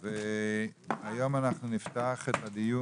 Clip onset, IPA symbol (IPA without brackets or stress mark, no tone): v